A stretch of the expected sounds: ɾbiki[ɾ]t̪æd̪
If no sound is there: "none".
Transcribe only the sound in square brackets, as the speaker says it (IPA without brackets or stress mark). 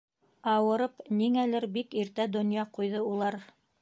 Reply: ɾ